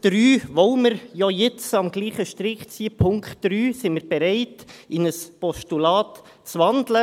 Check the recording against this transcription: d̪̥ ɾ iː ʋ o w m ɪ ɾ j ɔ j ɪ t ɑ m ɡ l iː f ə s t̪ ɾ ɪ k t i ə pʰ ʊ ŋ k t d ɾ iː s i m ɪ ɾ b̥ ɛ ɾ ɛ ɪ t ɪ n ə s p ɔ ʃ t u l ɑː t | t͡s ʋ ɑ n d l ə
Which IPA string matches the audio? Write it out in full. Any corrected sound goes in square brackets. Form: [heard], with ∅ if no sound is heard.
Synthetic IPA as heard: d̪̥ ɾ [yː] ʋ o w m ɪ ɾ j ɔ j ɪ [t͡s] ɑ m ɡ l iː [χ] ə [ʃ] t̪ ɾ ɪ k [t͡s] i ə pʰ ʊ ŋ k t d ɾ [yː] s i m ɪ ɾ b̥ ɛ ɾ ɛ ɪ t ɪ n ə s p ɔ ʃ t u l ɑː t | t͡s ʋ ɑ n d l ə